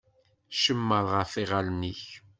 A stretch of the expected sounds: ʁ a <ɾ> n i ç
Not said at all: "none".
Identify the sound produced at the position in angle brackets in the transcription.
l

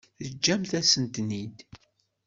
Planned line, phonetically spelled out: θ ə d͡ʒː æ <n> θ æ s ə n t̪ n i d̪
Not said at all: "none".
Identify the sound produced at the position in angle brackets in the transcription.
m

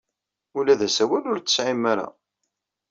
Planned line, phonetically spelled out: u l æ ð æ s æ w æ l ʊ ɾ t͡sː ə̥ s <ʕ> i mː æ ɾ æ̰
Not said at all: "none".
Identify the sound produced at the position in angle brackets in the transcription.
ʕ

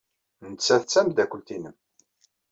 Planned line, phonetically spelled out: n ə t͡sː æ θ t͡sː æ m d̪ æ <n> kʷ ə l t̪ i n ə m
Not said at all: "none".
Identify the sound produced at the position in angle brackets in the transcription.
none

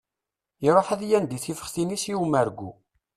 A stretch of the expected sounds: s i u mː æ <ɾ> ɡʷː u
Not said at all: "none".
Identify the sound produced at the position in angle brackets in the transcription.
ɾ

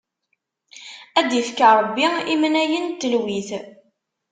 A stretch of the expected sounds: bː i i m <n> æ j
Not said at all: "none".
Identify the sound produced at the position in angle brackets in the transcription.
n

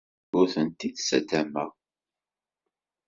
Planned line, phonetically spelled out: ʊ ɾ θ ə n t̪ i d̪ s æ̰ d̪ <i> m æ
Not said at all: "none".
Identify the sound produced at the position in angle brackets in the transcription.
æ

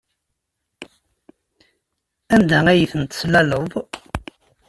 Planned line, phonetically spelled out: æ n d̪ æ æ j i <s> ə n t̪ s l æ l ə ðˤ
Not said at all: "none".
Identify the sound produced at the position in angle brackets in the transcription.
θ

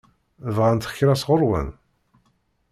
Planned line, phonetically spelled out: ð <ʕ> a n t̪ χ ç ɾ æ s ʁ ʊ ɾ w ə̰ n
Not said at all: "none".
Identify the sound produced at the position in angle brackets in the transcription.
ʁ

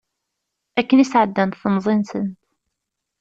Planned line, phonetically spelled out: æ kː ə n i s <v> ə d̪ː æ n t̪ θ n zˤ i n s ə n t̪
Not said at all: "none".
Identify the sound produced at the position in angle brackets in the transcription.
ʕ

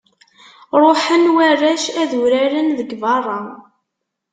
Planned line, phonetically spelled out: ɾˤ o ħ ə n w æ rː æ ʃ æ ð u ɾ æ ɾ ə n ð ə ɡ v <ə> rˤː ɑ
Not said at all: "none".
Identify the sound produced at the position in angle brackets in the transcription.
ɑ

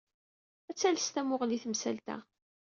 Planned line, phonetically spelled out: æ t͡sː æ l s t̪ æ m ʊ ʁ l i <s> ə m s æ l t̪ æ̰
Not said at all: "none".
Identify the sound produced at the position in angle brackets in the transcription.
θ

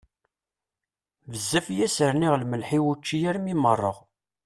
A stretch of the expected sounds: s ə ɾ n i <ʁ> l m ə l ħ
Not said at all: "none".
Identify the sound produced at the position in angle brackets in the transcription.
ʁ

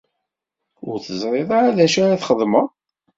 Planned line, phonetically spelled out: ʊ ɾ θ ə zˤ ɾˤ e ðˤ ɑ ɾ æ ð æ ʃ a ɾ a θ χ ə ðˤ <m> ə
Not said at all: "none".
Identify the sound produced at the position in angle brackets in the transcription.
m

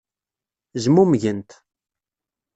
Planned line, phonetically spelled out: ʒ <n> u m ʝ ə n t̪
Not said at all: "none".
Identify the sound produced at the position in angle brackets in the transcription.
m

